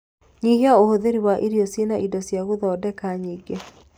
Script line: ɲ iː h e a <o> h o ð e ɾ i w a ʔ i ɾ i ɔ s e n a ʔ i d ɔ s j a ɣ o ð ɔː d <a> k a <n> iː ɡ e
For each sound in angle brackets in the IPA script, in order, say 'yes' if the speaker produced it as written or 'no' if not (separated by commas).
yes, no, no